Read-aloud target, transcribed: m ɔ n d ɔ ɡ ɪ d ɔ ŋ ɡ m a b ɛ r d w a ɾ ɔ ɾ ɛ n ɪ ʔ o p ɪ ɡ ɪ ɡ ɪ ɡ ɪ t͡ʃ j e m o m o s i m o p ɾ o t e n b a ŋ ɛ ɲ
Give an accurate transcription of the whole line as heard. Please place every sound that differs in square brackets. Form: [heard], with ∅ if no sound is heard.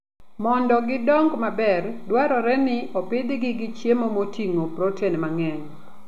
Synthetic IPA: m ɔ n d ɔ ɡ ɪ d ɔ ŋ ɡ m a b ɛ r d w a ɾ ɔ ɾ ɛ n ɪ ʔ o p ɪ [d] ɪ ɡ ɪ ɡ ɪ t͡ʃ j e m o m o [t] i [ŋ] o p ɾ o t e n [m] a ŋ ɛ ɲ